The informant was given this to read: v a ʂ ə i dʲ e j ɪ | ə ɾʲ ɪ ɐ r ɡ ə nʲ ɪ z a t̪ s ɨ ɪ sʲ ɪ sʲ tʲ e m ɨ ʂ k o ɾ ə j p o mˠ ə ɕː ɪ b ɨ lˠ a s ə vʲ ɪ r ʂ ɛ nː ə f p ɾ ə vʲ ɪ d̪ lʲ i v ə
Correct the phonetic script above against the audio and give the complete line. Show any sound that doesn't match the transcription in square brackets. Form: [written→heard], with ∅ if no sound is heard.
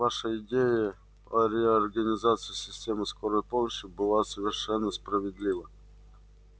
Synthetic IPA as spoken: v a ʂ ə [i→ɪ] dʲ e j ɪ | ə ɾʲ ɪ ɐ r ɡ ə nʲ ɪ z a t̪ s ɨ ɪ sʲ ɪ sʲ tʲ e m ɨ [ʂ→s] k o ɾ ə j p o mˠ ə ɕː ɪ b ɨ lˠ a s ə vʲ ɪ r ʂ ɛ nː ə [f→s] p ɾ ə vʲ ɪ d̪ lʲ i v ə